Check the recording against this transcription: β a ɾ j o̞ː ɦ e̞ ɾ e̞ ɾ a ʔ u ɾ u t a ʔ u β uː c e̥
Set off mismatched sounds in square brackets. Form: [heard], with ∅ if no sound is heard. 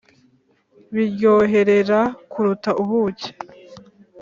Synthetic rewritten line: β [i] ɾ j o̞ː ɦ e̞ ɾ e̞ ɾ a [k] u ɾ u t a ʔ u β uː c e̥